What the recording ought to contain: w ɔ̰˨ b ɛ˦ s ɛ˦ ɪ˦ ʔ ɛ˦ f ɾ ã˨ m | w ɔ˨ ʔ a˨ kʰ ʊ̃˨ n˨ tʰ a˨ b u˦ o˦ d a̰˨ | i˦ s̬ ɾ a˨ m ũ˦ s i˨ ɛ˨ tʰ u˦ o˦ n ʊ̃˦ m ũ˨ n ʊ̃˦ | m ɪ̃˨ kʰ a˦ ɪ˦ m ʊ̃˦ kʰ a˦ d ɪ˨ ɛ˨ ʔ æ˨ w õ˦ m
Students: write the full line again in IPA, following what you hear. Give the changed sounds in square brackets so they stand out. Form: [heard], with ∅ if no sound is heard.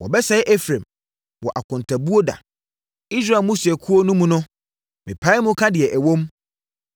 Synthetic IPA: w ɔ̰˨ b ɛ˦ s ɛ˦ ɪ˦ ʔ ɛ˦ f ɾ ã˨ m | w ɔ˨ ʔ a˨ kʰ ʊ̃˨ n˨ tʰ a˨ b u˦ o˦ d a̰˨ | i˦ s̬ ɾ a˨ m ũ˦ s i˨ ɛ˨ [kʰ] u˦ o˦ n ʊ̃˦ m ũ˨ n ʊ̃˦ | m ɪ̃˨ [pʰ] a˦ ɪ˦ m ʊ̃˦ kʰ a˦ d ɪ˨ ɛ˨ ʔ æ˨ w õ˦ m